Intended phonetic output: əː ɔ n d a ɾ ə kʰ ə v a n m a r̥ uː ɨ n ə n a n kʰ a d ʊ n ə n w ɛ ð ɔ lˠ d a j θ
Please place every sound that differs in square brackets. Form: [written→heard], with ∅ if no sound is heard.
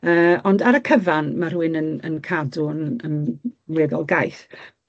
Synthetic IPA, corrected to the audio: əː ɔ n d a ɾ ə kʰ ə v a n m a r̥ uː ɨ n ə n [a→ə] n kʰ a d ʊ n ə n w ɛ ð ɔ lˠ [d→ɡ] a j θ